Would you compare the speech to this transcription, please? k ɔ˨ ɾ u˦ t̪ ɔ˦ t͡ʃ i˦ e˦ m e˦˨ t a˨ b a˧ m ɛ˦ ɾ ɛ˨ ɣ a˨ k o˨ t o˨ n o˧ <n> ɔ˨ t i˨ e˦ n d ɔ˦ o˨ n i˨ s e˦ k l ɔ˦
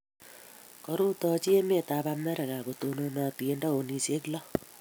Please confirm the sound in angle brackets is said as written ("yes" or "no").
yes